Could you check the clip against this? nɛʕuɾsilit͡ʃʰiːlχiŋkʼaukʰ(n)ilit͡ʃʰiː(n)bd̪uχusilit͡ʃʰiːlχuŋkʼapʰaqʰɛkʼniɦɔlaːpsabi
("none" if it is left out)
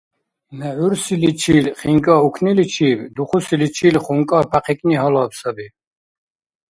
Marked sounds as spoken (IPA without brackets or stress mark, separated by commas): n, none